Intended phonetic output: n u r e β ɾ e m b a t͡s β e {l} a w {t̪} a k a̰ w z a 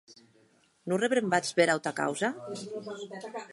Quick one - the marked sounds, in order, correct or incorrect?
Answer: incorrect: ɾ, correct

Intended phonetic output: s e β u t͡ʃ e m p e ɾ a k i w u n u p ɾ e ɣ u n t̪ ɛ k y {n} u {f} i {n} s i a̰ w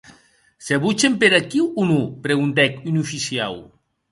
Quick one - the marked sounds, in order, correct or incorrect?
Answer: correct, correct, incorrect: none

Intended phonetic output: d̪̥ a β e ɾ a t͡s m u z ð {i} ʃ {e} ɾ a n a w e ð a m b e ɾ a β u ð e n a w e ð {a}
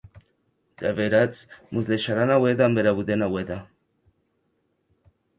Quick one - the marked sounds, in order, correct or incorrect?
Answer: incorrect: e, incorrect: a, correct

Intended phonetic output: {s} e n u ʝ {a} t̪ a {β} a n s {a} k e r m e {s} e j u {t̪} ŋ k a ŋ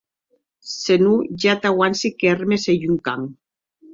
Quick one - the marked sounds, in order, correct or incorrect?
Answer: correct, correct, incorrect: w, incorrect: i, correct, incorrect: none

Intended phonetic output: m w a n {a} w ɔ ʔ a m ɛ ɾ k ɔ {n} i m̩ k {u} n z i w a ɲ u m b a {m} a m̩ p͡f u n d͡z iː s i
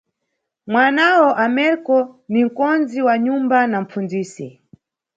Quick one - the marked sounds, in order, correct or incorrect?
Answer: correct, correct, incorrect: ɔ, incorrect: n

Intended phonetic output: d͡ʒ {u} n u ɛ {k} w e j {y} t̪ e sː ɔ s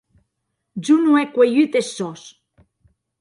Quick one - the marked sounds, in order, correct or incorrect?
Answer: correct, correct, correct

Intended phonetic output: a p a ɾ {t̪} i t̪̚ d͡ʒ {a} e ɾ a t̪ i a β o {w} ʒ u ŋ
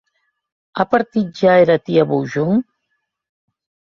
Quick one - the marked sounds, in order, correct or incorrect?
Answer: correct, correct, correct

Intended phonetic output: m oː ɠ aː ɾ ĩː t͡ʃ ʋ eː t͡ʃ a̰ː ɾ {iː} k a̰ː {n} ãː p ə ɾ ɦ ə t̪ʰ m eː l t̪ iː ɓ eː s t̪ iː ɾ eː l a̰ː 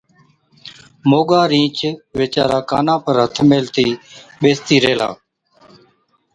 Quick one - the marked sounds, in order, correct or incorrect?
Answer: incorrect: aː, correct

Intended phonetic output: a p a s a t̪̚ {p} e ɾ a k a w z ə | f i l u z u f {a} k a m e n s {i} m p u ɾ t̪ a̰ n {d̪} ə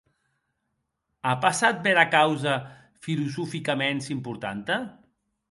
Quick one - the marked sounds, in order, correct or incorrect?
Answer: incorrect: b, incorrect: i, correct, incorrect: t̪

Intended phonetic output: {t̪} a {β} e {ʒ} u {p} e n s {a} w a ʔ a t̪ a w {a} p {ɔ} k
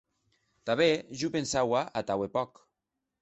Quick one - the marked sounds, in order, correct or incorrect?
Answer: correct, correct, correct, correct, correct, incorrect: e, correct

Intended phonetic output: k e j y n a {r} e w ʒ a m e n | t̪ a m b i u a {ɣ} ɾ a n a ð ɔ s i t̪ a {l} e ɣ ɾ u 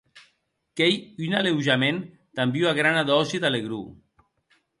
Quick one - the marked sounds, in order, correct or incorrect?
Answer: incorrect: l, correct, correct

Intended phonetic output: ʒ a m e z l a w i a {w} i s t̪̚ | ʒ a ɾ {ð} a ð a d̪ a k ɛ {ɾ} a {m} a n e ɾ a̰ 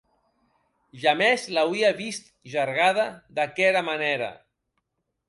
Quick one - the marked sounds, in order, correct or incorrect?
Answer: incorrect: β, incorrect: ɣ, correct, correct

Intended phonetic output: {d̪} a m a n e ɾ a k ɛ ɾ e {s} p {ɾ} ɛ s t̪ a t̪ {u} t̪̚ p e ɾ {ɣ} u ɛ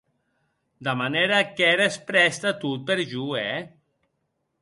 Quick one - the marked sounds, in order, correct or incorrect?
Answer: correct, correct, correct, correct, incorrect: ʒ

